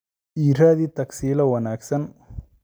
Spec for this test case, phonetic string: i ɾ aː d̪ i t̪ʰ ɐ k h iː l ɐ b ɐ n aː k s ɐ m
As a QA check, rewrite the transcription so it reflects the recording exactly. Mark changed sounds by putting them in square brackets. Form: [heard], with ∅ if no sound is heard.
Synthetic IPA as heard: i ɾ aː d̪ i [t̪] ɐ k [s] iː l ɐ [w] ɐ n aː k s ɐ [n]